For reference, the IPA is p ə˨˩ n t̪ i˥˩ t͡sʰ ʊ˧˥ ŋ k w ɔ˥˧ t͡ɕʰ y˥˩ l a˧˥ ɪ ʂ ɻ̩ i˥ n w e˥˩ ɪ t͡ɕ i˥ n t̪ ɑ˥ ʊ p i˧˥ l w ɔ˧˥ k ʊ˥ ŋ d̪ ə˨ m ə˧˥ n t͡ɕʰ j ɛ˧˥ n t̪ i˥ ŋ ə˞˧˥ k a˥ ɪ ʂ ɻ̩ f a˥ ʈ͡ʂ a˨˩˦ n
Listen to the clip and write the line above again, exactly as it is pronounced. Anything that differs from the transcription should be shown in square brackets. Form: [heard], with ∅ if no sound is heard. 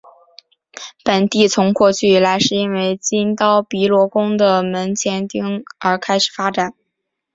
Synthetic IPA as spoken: p ə˨˩ n t̪ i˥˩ t͡sʰ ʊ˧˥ ŋ k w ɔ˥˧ t͡ɕʰ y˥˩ l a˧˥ ɪ ʂ ɻ̩ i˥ n w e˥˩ ɪ t͡ɕ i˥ n t̪ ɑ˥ ʊ p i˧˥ l w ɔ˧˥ k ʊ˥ ŋ d̪ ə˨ m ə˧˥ n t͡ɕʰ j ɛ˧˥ n t̪ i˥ ŋ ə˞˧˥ [kʰ] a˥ ɪ ʂ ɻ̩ f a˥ ʈ͡ʂ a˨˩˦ n